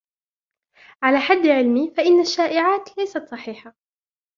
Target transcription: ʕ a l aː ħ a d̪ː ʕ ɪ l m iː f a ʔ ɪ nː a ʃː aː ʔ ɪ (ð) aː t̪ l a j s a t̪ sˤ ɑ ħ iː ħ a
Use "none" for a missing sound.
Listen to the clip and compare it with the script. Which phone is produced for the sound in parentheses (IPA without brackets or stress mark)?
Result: ʕ